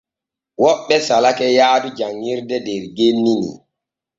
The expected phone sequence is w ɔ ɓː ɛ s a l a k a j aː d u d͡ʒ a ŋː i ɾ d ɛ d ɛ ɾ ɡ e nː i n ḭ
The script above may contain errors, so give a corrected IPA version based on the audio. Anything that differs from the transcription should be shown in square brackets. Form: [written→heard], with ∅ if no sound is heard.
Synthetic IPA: w ɔ ɓː ɛ s a l a k [a→ɛ] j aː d u d͡ʒ a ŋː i ɾ d ɛ d ɛ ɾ ɡ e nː i n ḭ